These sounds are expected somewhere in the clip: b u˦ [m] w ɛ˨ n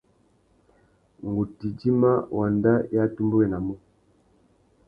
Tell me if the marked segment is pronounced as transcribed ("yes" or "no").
no